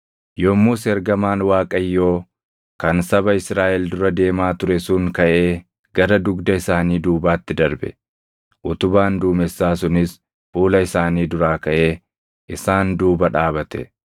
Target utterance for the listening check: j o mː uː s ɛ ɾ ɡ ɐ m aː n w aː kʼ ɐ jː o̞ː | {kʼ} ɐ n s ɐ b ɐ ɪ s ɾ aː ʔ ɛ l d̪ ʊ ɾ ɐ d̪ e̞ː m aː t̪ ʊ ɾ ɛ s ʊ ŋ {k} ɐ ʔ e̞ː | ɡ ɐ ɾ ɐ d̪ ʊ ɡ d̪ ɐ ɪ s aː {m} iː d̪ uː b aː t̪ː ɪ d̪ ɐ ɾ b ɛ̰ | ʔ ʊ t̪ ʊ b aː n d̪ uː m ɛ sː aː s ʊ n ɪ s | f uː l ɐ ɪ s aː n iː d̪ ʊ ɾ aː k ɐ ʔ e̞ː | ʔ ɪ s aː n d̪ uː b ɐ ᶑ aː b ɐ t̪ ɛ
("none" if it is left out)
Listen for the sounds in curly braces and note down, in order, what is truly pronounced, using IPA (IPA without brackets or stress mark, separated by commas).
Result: k, k, n